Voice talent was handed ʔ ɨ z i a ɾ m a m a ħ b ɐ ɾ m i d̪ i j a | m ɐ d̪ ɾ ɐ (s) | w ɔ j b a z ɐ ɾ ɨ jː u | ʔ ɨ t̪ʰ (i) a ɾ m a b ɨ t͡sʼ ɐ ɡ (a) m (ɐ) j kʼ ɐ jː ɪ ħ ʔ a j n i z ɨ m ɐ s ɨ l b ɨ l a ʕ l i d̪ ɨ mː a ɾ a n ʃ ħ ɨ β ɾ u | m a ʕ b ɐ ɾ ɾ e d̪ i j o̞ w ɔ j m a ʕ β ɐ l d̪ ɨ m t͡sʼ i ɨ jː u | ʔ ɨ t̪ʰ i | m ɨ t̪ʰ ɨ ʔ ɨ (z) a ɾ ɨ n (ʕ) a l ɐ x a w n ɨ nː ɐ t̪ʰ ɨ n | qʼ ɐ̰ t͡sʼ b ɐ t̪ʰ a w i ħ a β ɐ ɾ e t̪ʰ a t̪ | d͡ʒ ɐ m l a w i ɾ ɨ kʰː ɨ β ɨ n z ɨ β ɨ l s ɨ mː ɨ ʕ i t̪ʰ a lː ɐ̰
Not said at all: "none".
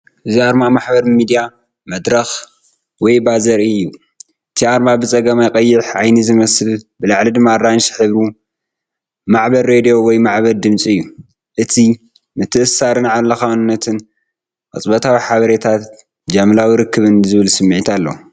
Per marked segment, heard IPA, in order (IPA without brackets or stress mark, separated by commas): x, i, ɐ, a, s, ʕ